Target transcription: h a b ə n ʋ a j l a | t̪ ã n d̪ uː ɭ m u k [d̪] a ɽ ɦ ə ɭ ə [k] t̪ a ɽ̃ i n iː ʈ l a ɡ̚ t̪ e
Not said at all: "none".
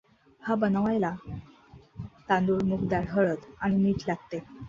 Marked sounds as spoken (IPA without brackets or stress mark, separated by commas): d̪, none